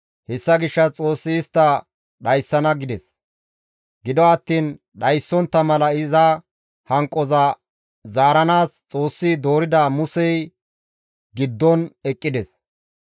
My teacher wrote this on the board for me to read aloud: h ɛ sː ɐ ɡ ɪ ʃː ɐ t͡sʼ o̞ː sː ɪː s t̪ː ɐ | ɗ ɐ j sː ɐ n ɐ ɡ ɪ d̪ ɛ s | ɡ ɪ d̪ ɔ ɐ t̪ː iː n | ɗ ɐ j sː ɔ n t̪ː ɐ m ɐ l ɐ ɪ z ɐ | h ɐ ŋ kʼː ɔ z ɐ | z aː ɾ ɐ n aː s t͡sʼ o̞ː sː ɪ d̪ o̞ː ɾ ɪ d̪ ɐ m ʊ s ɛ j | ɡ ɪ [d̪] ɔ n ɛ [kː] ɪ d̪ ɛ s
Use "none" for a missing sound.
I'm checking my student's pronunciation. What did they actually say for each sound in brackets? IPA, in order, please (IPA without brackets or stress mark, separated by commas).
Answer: d̪ː, kʼː